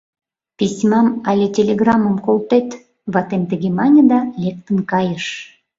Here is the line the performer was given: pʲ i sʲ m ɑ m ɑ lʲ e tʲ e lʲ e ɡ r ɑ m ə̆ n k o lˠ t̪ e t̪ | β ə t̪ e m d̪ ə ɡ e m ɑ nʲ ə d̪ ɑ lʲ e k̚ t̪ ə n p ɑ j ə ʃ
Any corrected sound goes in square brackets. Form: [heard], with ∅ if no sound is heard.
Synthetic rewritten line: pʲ i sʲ m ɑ m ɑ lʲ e tʲ e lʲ e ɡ r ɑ m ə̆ [m] k o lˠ t̪ e t̪ | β [ɑ] t̪ e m [t̪] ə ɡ e m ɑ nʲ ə d̪ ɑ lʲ e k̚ t̪ ə n [k] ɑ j ə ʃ